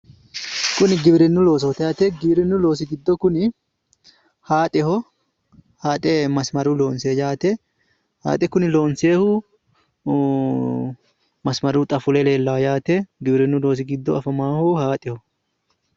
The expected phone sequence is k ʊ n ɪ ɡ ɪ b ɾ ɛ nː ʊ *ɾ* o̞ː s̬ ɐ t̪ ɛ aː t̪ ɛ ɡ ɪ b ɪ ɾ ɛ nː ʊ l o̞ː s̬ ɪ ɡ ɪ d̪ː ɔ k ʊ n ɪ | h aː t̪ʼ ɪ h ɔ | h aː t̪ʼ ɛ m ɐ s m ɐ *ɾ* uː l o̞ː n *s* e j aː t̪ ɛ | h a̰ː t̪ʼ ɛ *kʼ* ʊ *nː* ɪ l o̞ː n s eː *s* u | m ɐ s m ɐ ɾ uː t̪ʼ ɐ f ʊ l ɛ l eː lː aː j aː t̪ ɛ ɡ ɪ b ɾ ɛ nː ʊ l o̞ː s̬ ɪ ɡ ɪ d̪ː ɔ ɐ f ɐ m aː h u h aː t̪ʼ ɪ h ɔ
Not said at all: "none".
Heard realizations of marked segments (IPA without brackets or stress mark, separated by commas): l, ɾ, s, k, n, h